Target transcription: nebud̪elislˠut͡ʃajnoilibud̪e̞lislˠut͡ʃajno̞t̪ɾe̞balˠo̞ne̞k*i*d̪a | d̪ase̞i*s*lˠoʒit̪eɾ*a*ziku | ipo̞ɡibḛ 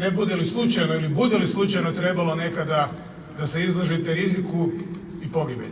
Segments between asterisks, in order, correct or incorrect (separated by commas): incorrect, incorrect, incorrect